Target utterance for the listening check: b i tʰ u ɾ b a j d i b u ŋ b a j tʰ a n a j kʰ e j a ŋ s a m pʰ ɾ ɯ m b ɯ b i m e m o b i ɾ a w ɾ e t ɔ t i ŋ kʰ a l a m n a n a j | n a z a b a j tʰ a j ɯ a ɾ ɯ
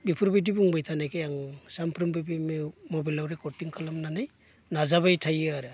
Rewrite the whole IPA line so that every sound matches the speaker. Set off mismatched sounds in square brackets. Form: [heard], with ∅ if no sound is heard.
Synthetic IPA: b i [pʰ] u ɾ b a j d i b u ŋ b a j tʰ a n a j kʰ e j a ŋ s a m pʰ ɾ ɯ m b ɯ b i m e m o b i [l] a w ɾ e [k] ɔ t i ŋ kʰ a l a m n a n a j | n a z a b a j tʰ a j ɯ a ɾ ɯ